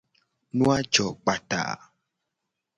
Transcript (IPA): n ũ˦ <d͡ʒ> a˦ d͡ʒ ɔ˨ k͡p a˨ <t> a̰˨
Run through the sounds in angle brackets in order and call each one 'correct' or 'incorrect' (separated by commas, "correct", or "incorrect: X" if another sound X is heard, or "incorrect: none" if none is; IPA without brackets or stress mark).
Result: incorrect: none, correct